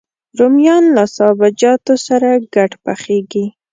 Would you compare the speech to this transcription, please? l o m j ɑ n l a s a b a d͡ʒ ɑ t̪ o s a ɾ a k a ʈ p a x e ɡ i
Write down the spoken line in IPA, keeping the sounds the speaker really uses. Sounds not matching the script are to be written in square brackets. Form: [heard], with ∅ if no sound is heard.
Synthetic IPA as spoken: [ɾ] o m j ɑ n l a s [ɑ] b a d͡ʒ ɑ t̪ o s a ɾ a [ɡ] a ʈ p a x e ɡ i